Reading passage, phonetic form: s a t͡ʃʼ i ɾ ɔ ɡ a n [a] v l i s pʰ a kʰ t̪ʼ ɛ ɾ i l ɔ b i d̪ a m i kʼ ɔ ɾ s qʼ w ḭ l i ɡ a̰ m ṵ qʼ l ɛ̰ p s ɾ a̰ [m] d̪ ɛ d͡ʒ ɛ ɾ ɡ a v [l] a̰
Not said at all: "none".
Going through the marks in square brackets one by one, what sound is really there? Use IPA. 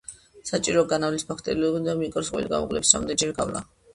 a, m, l

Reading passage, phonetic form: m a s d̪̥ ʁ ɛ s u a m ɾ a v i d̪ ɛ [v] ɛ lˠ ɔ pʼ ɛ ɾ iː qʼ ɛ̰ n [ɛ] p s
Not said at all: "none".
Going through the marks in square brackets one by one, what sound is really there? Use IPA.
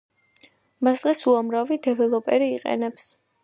v, ɛ

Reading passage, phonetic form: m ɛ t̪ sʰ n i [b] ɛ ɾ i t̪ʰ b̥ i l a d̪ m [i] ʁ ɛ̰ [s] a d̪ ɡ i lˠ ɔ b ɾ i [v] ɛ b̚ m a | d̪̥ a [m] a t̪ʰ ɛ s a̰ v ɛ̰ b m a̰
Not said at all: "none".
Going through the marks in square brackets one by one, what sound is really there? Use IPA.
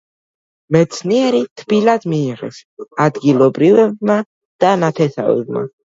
none, iː, s, v, n

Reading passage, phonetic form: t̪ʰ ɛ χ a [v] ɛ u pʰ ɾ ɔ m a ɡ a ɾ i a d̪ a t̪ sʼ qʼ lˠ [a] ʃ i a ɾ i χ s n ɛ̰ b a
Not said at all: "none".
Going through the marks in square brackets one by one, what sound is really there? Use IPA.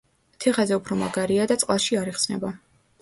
z, a

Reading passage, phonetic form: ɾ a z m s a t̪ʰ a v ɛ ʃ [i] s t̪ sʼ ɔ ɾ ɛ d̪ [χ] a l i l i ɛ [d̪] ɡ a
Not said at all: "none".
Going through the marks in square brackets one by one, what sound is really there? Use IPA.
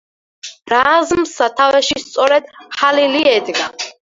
i, χ, d̪

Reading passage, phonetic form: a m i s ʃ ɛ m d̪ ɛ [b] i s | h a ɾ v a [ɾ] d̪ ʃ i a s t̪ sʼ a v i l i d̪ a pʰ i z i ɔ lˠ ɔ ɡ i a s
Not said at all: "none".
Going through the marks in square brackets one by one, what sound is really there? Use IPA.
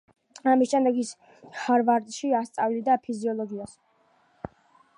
ɡ, ɾ

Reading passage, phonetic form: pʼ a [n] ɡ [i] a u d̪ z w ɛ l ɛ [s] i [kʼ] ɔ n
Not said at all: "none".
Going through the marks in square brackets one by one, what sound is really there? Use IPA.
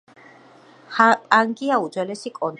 ŋ, i, s, kʼ

